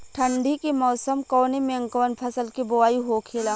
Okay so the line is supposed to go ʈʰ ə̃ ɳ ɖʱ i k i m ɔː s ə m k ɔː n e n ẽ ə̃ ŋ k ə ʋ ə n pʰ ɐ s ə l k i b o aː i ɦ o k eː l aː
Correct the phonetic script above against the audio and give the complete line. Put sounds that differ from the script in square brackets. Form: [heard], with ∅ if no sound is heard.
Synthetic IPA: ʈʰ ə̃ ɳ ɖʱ i k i m ɔː s ə m k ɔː n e [m] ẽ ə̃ ŋ k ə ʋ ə n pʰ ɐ s ə l k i b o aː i ɦ o [kʰ] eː l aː